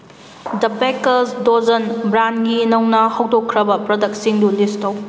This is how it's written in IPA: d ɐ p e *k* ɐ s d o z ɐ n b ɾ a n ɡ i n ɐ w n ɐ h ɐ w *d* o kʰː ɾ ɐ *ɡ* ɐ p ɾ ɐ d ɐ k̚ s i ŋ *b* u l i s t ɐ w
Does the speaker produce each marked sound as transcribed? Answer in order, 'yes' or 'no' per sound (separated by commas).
yes, yes, no, no